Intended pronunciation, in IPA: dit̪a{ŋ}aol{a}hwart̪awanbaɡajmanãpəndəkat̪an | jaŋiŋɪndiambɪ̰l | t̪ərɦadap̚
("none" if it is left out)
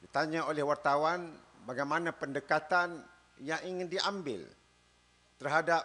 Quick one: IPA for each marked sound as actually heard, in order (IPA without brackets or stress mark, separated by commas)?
ɲ, ɛ